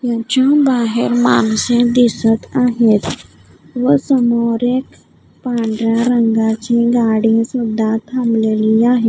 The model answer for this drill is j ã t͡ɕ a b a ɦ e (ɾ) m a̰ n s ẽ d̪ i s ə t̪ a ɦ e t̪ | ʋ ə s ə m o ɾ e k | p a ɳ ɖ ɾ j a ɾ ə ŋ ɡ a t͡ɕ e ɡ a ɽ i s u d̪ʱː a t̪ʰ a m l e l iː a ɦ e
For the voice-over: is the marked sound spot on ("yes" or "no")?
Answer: yes